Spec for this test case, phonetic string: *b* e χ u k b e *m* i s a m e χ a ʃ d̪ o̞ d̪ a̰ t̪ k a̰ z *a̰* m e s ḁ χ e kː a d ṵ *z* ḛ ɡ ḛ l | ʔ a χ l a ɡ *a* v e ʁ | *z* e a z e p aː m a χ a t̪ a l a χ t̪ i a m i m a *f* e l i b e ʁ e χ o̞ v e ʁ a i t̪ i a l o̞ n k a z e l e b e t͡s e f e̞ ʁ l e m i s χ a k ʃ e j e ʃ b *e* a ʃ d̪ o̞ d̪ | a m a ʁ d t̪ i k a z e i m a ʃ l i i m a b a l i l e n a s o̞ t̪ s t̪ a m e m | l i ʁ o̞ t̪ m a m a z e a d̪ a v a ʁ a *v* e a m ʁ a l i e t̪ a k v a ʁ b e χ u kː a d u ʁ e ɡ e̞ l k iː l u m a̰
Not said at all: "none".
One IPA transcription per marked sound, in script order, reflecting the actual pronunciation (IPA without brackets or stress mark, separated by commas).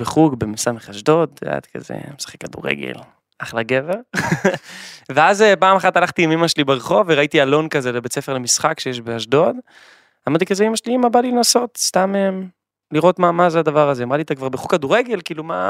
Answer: b, m, ḛ, ʁ, e, v, ʃ, e, z